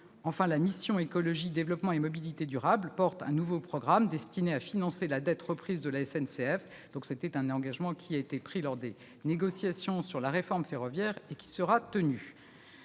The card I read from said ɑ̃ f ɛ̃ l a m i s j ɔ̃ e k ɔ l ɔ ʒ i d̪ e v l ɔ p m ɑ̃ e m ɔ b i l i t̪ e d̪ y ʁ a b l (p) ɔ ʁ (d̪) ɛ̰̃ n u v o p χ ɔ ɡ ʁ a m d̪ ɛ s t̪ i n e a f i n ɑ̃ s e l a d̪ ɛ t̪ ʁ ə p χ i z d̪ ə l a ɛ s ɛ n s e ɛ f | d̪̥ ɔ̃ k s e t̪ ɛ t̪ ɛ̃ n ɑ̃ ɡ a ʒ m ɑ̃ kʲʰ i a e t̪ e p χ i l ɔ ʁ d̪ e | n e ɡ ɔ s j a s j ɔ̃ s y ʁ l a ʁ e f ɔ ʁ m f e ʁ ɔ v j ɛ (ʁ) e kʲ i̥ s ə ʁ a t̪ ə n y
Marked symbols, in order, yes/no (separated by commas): yes, no, yes